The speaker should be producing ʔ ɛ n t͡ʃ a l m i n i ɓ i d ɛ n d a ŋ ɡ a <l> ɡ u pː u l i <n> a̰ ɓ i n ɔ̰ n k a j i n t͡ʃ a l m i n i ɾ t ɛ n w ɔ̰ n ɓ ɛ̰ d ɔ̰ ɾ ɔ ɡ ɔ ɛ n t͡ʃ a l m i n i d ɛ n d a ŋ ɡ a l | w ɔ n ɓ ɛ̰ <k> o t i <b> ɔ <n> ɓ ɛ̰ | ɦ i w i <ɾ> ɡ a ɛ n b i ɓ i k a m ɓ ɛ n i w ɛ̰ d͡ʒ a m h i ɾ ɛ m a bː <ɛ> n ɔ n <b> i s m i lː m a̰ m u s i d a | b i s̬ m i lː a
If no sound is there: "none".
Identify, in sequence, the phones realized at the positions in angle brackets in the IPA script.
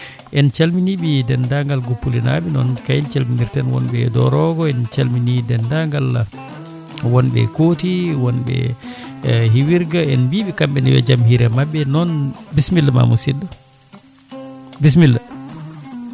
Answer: l, n, k, w, n, ɾ, ɛ, b

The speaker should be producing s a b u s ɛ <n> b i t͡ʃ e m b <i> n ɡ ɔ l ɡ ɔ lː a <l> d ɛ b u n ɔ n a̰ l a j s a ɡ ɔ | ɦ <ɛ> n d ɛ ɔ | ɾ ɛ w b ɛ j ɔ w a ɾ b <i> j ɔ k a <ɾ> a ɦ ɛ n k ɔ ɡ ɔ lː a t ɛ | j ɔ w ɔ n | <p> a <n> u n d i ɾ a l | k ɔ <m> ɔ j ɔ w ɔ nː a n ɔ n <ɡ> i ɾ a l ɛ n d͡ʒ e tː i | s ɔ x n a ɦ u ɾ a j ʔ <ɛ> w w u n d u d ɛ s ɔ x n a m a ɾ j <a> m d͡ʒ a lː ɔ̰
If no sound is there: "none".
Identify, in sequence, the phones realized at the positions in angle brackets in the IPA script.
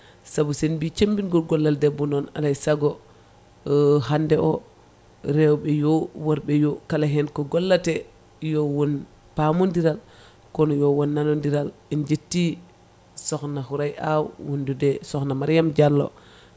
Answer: n, i, l, a, ɛ, l, p, m, n, d, a, a

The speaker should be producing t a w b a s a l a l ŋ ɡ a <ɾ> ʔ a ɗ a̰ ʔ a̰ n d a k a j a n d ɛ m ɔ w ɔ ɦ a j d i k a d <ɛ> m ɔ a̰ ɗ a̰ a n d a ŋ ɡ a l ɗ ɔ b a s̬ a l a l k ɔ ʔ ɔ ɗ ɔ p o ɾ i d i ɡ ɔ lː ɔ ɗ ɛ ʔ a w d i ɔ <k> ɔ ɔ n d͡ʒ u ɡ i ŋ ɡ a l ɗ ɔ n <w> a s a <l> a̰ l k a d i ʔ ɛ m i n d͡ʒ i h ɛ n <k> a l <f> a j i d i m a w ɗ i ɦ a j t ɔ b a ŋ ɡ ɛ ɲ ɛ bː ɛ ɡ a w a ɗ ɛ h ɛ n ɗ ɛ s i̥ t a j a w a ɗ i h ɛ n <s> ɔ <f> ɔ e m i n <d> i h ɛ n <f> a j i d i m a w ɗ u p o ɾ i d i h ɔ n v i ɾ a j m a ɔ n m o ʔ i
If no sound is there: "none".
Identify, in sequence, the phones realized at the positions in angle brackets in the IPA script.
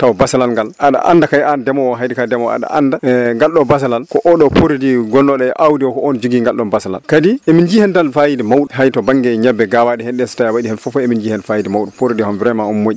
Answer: l, ɛ, k, b, l, t, f, f, f, d͡ʒ, f

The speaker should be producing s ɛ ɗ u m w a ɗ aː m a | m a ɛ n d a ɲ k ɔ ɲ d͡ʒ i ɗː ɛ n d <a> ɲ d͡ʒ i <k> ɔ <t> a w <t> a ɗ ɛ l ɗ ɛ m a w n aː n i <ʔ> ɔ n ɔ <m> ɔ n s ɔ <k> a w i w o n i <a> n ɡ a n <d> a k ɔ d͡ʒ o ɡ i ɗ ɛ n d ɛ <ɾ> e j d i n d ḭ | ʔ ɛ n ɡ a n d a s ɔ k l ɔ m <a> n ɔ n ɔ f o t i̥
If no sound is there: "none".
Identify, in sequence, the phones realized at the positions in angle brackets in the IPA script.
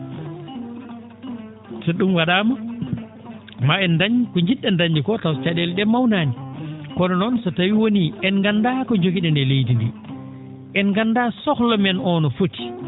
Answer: a, k, t, t͡ʃ, k, n, t, ɛ, d, l, ɛ

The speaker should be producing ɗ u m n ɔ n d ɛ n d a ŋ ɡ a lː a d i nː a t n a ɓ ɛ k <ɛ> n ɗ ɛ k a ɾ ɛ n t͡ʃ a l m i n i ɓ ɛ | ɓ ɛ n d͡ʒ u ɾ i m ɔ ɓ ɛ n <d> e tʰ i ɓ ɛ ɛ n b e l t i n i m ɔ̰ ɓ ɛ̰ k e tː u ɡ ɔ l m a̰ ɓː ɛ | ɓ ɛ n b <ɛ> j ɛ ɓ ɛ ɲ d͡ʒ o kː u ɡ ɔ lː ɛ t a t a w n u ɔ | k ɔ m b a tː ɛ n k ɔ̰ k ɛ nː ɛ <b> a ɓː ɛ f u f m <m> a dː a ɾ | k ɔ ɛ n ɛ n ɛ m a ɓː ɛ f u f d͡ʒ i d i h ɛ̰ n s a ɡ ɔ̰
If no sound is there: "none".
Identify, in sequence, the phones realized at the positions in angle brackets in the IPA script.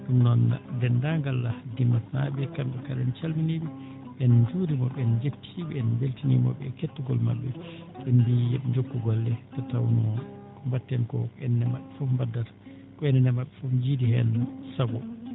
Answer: a, d͡ʒ, i, m, b

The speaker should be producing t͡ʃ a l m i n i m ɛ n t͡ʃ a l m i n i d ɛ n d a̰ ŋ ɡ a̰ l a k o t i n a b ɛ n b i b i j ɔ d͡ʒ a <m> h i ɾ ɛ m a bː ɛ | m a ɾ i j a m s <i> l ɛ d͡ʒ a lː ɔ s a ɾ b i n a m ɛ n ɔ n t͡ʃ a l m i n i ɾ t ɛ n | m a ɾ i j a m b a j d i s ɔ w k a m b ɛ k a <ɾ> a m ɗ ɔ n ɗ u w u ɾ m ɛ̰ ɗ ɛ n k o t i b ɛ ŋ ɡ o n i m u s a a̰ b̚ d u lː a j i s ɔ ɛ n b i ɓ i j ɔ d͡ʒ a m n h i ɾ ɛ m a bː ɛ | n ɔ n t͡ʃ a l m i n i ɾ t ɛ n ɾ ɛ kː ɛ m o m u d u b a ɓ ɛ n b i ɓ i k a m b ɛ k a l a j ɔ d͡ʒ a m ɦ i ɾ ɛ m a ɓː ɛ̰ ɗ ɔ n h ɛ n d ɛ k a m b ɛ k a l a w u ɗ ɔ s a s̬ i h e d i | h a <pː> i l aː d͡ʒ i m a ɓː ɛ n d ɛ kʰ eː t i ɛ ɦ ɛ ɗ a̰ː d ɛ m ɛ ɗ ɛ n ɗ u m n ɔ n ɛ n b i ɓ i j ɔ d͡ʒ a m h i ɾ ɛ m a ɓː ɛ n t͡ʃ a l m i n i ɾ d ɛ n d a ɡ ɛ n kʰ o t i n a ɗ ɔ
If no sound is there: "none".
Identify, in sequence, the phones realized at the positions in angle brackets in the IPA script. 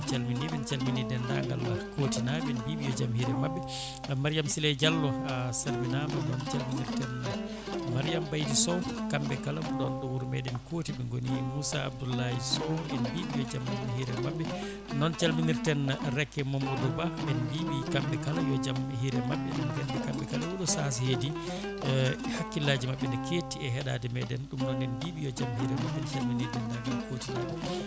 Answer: m, i, l, kː

